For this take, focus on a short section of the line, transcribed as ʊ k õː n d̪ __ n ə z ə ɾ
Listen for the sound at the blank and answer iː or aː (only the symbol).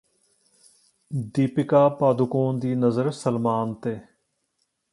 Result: iː